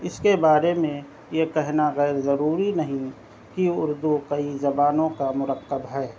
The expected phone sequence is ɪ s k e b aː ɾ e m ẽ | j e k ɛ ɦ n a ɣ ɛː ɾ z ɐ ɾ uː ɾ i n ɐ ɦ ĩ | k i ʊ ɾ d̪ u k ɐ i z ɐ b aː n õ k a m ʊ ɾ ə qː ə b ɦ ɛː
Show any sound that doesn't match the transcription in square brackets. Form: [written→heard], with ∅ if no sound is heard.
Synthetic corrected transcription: ɪ s k e b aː ɾ e m ẽ | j e k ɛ ɦ n a ɣ ɛː ɾ z ɐ ɾ uː ɾ i n ɐ ɦ ĩ | k i ʊ ɾ d̪ u k ɐ i z ɐ b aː n õ k a m ʊ ɾ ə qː ə b ɦ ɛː